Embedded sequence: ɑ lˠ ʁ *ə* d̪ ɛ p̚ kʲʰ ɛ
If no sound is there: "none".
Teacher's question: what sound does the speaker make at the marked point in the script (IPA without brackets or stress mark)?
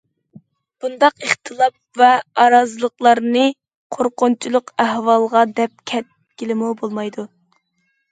ɑ